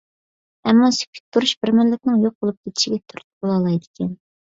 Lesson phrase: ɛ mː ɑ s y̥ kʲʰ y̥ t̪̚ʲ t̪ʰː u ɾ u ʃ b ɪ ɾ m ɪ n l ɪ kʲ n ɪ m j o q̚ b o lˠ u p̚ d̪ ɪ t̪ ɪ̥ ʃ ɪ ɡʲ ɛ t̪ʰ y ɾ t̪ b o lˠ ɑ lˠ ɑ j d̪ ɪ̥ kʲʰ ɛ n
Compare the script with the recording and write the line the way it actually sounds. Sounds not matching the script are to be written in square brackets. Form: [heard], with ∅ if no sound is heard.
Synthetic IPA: ɛ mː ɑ s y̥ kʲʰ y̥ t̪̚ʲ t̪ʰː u ɾ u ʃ b ɪ ɾ m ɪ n l ɪ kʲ n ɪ [ŋ] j o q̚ b o lˠ u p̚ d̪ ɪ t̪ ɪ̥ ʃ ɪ ɡʲ ɛ t̪ʰ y ɾ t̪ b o lˠ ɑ lˠ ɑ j d̪ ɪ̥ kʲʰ ɛ n